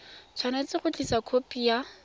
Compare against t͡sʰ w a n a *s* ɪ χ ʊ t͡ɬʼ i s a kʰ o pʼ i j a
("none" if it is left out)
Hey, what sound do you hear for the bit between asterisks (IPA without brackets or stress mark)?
t͡s